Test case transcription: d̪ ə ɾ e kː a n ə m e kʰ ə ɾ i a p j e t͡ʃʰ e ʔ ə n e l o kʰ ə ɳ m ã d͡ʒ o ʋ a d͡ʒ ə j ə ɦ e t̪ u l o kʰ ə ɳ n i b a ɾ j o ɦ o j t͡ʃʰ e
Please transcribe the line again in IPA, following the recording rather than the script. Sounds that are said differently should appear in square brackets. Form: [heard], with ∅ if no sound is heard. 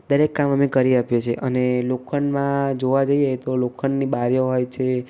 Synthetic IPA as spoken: d̪ ə ɾ e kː a [m] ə m e [k] ə ɾ i a p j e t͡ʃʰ e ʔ ə n e l o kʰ ə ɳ m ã d͡ʒ o ʋ a d͡ʒ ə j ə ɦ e t̪ [o] l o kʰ ə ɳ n i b a ɾ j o ɦ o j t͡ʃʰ e